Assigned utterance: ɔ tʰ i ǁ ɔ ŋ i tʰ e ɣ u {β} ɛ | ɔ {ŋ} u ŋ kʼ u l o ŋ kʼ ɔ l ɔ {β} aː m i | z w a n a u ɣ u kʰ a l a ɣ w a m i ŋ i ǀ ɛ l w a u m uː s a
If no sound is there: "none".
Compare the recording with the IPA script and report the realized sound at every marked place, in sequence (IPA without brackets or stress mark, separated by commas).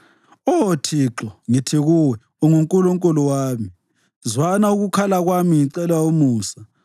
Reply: w, ŋ, w